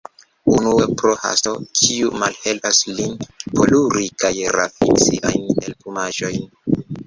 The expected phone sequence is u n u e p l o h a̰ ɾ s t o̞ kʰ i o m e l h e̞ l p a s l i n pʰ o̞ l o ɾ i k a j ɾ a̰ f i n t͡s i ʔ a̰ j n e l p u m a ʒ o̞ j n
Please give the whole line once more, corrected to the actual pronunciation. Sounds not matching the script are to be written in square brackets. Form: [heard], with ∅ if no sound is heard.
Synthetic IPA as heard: u n u e p [ɾ] o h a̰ [∅] s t o̞ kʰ i [u] m [a] l h e̞ l p a s l i n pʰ o̞ l [u] ɾ i k a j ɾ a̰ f i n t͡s i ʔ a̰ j n e l p u m a ʒ o̞ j n